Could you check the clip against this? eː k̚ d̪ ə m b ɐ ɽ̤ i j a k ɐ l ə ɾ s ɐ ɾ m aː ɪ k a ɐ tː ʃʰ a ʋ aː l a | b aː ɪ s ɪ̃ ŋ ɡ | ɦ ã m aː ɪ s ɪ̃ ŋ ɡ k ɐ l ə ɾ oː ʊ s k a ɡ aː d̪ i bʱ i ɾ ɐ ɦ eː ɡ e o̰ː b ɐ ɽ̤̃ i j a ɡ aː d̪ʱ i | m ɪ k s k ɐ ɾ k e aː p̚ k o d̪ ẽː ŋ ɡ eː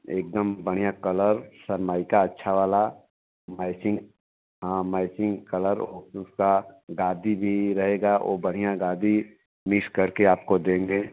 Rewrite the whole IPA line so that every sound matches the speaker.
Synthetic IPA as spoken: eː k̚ d̪ ə m b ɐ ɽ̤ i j a k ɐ l ə ɾ s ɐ ɾ m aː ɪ k a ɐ tː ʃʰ a ʋ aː l a | m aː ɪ s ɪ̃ ŋ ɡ | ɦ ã m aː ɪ s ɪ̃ ŋ ɡ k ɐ l ə ɾ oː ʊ s k a ɡ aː d̪ i bʱ i ɾ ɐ ɦ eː ɡ a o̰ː b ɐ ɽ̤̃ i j a ɡ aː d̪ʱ i | m ɪ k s k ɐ ɾ k e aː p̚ k o d̪ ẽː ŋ ɡ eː